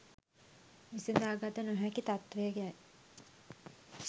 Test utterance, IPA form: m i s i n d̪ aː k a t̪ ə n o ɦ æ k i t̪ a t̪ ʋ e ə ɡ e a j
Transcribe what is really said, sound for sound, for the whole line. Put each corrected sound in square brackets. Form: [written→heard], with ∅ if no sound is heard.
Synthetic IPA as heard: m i s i n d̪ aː [k→ɡ] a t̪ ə n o ɦ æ k i t̪ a t̪ ʋ e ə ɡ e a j